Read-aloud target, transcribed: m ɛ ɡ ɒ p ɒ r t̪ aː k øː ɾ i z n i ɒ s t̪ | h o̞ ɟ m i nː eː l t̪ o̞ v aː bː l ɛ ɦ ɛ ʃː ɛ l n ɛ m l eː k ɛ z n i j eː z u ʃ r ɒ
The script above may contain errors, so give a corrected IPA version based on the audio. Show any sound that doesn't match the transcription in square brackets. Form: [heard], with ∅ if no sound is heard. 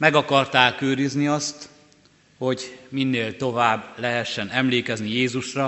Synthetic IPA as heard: m ɛ ɡ ɒ [k] ɒ r t̪ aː k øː ɾ i z n i ɒ s t̪ | h o̞ ɟ m i nː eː l t̪ o̞ v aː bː l ɛ ɦ ɛ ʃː ɛ [∅] n ɛ m l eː k ɛ z n i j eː z u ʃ r ɒ